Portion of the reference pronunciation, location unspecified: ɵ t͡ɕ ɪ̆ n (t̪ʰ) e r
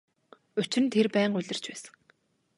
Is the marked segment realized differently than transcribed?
no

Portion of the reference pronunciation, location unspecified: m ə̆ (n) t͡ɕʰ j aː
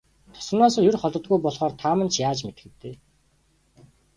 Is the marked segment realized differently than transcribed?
no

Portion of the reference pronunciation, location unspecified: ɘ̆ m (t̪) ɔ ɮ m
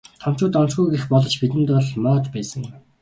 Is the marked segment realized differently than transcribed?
no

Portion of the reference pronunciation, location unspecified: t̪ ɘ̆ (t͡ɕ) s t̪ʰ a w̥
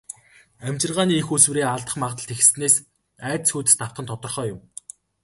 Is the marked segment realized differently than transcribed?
yes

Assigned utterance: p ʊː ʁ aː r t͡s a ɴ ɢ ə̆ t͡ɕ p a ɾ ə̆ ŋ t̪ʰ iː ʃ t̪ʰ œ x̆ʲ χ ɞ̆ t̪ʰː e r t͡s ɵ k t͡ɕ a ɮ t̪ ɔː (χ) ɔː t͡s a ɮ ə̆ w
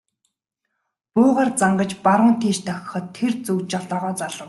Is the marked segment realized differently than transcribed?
yes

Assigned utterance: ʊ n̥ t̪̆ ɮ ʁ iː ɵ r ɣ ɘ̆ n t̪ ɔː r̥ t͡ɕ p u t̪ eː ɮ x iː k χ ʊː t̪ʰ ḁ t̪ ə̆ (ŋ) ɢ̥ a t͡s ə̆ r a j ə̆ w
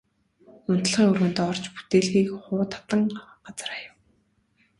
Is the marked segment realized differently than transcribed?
no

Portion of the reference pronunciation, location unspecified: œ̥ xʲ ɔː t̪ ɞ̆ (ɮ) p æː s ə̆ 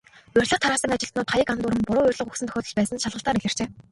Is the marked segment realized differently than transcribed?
no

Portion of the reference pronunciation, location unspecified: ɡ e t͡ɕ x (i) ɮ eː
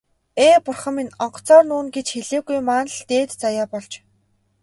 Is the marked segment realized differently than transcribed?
yes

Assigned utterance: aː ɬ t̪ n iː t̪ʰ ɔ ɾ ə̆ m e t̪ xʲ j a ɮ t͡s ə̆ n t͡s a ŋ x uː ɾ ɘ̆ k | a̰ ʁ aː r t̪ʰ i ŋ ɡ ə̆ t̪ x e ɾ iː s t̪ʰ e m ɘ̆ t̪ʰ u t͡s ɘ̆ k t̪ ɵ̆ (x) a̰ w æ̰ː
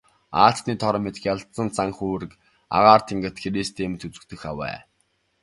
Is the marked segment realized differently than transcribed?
no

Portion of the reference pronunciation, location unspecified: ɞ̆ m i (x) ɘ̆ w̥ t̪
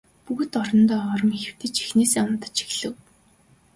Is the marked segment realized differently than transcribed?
no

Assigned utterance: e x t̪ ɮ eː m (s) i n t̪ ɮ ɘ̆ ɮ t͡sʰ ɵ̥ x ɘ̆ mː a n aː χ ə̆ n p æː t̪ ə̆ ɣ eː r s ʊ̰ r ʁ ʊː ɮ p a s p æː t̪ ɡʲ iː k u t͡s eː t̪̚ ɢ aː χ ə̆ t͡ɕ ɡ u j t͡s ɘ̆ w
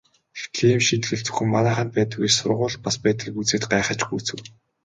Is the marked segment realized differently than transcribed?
yes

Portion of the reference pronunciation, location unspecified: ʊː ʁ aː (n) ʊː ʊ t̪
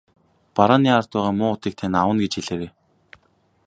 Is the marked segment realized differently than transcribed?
yes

